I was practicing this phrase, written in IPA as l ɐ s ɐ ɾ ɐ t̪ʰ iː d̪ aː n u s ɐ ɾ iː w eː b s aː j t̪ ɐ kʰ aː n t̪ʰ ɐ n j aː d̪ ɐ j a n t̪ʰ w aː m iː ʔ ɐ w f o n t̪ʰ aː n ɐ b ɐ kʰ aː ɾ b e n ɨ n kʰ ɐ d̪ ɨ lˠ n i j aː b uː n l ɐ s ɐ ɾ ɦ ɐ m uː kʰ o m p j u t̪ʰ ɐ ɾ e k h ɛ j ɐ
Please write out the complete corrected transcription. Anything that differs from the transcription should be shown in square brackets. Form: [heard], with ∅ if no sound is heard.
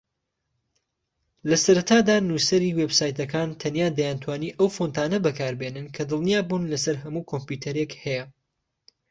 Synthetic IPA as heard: l ɐ s ɐ ɾ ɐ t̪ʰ [aː] d̪ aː n u s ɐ ɾ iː w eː b s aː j t̪ ɐ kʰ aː n t̪ʰ ɐ n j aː d̪ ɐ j a n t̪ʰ w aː [n] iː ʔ ɐ w f o n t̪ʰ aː n ɐ b ɐ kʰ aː ɾ b e n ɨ n kʰ ɐ d̪ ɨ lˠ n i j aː b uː n l ɐ s ɐ ɾ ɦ ɐ m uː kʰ o m p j u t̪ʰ ɐ ɾ e k h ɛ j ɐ

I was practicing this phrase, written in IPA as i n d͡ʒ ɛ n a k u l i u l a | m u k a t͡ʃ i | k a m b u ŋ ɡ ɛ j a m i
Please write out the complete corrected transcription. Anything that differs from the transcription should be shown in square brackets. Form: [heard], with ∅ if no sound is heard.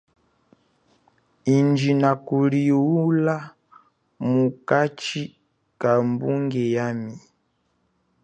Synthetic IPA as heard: i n d͡ʒ [i] n a k u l i u l a | m u k a t͡ʃ i | k a m b u ŋ ɡ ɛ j a m i

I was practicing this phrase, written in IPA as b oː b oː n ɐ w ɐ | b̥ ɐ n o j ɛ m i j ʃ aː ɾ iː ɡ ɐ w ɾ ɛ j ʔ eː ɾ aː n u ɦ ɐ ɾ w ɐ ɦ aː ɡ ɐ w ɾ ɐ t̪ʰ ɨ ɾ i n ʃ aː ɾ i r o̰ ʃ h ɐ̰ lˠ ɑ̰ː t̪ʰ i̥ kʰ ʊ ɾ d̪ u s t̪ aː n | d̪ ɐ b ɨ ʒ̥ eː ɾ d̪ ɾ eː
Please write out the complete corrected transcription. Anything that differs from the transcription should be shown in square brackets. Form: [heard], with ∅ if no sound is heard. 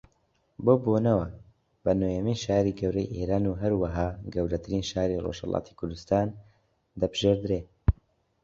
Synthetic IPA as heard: b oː b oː n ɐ w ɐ | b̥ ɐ n o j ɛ m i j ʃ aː ɾ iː ɡ ɐ w ɾ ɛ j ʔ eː ɾ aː n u ɦ ɐ ɾ w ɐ ɦ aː ɡ ɐ w ɾ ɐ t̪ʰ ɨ ɾ i n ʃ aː ɾ i r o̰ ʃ h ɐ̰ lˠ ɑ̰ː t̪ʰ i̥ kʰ ʊ ɾ d̪ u s t̪ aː n | d̪ ɐ b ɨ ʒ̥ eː ɾ d̪ ɾ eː

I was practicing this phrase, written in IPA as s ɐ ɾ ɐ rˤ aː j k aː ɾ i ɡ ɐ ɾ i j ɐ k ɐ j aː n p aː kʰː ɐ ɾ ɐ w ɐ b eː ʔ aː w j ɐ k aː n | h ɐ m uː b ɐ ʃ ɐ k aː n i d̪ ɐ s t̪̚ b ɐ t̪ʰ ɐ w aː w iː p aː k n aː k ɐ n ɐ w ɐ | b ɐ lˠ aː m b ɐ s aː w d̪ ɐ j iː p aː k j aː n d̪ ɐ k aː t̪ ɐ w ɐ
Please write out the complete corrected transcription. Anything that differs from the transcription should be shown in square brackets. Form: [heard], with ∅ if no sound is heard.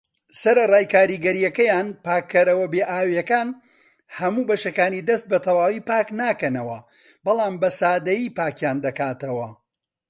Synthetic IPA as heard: s ɐ ɾ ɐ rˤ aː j k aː ɾ i ɡ ɐ ɾ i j ɐ k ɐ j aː n p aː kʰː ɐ ɾ ɐ w ɐ b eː ʔ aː w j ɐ k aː n | h ɐ m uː b ɐ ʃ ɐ k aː n i d̪ ɐ s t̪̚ b ɐ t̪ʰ ɐ w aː w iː p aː k n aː k ɐ n ɐ w ɐ | b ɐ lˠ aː m b ɐ s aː [∅] d̪ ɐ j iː p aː k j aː n d̪ ɐ k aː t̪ ɐ w ɐ

